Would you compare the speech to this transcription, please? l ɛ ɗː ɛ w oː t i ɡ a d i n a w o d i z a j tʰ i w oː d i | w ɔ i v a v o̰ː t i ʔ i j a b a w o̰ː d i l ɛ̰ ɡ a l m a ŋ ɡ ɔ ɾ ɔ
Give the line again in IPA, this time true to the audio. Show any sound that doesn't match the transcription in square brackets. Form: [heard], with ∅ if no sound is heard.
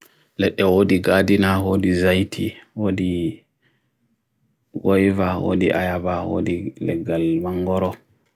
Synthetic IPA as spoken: l ɛ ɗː ɛ w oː [d] i ɡ a d i n a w o d i z a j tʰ i w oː d i | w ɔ [j] v a [w] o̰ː [d] i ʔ [a] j a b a w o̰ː d i l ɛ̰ ɡ a l m a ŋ ɡ ɔ ɾ ɔ